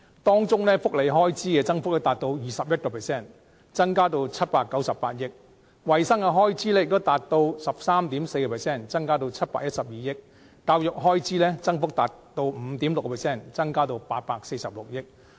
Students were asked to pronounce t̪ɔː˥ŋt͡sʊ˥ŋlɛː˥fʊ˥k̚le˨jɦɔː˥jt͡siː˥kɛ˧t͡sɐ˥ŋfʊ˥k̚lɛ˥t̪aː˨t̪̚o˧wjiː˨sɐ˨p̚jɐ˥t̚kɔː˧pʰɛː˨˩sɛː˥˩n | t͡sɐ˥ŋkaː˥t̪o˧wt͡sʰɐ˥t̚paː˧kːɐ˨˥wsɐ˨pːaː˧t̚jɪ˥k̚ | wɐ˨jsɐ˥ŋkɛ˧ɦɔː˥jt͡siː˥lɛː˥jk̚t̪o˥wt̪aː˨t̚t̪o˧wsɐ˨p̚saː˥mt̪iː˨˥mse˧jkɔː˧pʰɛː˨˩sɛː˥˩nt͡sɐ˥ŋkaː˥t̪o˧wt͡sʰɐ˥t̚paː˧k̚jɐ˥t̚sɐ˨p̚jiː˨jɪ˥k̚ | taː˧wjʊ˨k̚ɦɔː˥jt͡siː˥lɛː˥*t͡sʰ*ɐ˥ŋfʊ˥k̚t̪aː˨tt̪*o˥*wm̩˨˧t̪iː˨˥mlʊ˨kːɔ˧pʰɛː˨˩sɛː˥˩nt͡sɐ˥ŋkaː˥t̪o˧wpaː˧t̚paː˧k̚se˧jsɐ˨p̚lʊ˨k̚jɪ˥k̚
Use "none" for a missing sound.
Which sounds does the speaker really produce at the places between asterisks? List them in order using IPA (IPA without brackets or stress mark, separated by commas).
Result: t͡s, o˧